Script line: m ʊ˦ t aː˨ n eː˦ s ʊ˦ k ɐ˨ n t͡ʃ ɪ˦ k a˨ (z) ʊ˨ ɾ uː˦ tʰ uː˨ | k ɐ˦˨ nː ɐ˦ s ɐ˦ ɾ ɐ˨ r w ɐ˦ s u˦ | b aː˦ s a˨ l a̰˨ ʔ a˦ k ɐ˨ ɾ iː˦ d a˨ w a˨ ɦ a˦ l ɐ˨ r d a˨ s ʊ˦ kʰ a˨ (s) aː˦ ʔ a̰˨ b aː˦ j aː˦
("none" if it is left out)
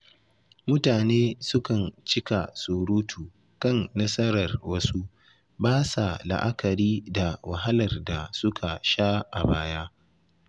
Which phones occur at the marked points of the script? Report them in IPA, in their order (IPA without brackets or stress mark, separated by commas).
s, ʃ